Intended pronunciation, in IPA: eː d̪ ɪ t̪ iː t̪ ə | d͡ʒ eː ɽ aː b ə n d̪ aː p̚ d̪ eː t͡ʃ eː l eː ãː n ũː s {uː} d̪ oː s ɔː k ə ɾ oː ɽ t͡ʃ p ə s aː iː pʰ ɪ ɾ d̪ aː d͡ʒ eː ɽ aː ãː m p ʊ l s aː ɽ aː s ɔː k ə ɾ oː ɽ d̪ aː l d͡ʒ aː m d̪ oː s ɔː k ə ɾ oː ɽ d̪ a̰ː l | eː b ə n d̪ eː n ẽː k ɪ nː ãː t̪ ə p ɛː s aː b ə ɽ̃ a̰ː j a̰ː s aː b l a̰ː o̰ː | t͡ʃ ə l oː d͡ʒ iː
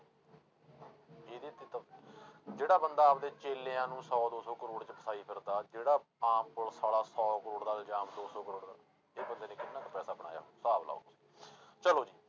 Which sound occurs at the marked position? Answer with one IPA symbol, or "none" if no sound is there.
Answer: ɔː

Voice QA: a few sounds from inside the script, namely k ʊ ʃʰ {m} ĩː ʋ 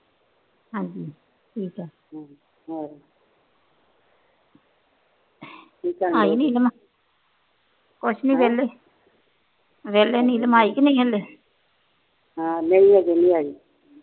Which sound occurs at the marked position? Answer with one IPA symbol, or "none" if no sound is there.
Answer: n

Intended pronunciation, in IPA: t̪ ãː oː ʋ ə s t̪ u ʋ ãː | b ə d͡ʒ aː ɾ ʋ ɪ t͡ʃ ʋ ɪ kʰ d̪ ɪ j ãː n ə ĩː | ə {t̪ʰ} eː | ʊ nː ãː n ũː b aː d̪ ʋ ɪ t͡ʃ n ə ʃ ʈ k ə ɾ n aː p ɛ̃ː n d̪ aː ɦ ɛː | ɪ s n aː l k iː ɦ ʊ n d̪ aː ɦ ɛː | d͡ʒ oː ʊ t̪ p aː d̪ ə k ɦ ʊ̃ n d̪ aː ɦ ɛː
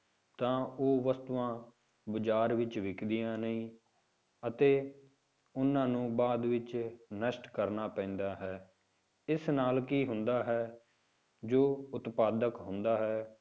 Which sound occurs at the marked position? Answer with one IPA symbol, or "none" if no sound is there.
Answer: t̪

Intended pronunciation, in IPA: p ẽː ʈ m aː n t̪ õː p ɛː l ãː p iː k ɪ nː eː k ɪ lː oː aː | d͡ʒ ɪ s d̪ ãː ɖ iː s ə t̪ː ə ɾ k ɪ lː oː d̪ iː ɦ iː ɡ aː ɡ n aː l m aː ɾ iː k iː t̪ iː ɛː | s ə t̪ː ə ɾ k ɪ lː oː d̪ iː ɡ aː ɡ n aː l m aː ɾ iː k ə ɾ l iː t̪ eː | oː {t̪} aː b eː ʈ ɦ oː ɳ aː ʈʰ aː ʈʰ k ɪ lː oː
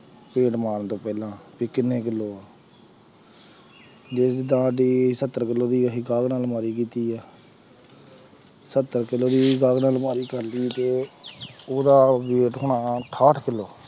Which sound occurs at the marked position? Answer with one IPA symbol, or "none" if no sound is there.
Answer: d̪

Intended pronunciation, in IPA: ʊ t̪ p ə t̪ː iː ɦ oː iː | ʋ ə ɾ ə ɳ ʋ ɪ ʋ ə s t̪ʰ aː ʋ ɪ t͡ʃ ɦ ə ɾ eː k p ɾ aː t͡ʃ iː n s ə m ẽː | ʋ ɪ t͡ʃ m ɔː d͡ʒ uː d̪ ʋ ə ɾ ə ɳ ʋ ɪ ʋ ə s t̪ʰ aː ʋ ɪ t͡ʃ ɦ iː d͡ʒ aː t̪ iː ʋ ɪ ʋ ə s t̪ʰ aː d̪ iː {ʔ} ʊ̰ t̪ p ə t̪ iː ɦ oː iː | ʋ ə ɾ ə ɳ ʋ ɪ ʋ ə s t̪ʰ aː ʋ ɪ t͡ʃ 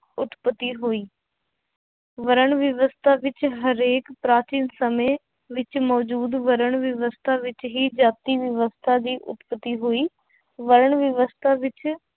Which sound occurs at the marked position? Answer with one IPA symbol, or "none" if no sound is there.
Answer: ʔ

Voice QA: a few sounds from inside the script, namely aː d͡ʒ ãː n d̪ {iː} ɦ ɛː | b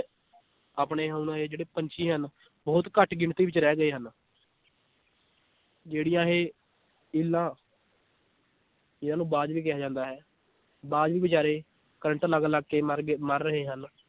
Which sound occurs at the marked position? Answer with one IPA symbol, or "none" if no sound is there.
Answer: aː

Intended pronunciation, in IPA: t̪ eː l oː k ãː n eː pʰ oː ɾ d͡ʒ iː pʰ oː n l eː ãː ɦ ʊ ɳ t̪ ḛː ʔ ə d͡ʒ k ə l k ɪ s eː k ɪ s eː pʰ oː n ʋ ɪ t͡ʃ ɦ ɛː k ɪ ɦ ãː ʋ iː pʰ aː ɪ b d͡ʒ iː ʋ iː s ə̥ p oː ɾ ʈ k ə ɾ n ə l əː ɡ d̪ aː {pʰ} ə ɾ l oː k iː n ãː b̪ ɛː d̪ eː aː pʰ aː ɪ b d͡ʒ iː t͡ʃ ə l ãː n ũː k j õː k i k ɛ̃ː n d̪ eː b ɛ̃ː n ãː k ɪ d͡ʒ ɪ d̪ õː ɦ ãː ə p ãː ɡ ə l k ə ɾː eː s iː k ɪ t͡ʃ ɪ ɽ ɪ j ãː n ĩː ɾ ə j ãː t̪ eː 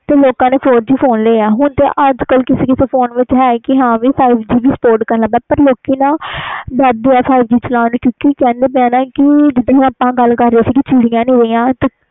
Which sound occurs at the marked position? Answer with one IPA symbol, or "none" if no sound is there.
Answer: p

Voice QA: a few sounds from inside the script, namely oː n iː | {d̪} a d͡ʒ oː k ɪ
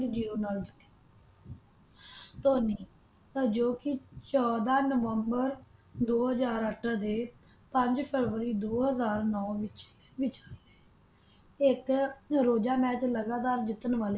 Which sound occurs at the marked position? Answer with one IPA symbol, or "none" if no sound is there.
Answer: t̪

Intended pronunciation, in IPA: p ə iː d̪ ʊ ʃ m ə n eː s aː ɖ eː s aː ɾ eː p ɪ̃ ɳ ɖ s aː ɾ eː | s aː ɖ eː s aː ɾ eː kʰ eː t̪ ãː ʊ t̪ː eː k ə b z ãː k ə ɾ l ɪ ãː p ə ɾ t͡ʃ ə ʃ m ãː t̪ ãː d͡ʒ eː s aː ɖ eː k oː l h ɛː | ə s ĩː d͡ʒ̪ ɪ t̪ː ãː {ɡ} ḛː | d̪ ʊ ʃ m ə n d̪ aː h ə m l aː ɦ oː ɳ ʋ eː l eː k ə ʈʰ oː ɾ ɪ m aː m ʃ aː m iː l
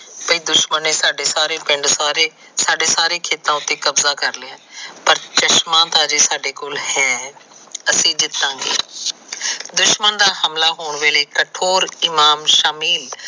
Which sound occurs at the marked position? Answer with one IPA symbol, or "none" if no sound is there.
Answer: ɡ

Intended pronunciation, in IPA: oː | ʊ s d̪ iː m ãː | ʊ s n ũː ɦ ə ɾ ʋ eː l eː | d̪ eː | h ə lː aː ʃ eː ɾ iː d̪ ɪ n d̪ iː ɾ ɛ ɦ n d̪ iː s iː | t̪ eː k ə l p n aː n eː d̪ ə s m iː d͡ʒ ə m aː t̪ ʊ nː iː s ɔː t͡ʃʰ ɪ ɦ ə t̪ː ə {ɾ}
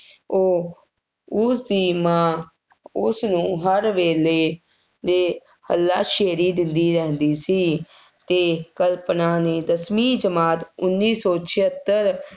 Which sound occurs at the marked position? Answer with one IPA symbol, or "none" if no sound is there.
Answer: ɾ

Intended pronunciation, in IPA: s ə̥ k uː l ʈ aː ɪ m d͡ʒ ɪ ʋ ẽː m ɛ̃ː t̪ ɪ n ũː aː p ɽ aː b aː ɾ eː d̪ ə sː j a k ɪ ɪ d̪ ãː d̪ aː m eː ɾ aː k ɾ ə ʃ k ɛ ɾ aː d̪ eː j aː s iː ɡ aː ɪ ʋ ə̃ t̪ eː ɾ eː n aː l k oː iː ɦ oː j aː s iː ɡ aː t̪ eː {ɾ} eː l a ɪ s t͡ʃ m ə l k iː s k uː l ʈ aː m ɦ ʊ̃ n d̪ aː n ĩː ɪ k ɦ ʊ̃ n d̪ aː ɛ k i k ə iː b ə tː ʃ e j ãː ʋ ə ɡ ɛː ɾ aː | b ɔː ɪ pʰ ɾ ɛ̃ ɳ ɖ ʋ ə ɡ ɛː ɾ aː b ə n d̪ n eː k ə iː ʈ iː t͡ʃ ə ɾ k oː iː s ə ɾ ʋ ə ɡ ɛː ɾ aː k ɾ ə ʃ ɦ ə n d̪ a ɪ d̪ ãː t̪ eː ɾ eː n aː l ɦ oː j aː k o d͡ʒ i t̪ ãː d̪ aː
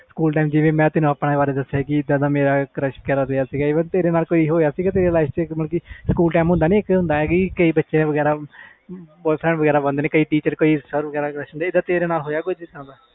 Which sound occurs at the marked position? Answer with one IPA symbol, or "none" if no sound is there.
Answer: ɾ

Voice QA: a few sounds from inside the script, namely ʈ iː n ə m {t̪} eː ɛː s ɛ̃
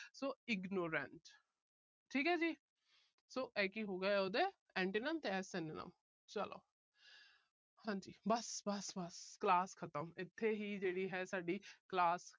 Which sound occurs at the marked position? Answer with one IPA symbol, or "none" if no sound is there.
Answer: t̪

